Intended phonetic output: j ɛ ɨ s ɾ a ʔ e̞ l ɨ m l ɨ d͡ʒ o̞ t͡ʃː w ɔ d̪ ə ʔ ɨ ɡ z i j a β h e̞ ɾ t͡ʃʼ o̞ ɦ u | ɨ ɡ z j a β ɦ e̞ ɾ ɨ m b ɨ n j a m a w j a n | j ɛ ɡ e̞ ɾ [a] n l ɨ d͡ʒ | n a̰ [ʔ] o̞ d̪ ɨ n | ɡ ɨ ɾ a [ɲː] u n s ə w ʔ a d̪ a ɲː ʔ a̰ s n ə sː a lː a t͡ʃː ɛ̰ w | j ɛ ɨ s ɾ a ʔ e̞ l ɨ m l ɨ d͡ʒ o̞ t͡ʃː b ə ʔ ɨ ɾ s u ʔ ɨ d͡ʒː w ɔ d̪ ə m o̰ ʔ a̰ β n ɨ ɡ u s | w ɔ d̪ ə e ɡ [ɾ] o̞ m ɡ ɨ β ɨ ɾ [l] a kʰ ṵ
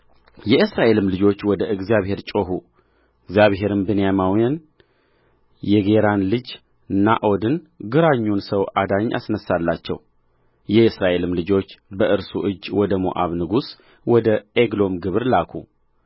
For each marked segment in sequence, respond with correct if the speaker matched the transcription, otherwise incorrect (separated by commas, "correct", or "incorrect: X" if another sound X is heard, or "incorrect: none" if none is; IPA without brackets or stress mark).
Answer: correct, correct, correct, incorrect: l, correct